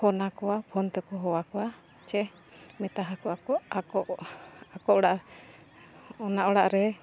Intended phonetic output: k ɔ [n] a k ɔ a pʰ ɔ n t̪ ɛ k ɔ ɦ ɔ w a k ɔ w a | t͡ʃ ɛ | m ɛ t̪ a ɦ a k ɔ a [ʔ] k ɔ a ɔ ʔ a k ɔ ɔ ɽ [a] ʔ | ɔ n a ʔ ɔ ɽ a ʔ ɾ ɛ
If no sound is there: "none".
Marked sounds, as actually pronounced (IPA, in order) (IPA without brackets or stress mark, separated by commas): n, none, a